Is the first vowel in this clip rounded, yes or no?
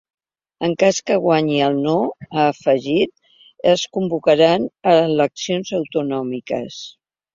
no